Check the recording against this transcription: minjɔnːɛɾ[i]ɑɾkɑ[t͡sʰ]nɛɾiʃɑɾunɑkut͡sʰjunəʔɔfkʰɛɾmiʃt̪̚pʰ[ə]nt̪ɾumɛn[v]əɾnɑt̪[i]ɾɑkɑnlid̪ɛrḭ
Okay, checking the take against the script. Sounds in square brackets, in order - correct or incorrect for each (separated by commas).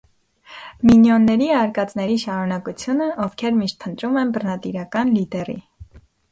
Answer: correct, incorrect, correct, incorrect, correct